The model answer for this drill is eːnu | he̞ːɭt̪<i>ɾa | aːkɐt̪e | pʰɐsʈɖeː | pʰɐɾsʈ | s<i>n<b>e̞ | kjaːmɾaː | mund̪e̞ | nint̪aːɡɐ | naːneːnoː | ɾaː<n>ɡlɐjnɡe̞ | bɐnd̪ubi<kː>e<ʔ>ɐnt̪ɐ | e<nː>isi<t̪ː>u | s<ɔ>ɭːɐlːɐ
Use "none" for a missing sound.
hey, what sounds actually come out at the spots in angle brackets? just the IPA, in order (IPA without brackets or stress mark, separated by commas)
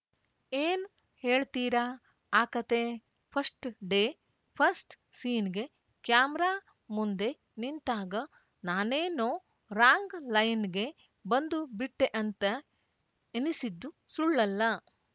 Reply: iː, iː, ɡ, ŋ, ʈː, ʔ, n, d̪ː, u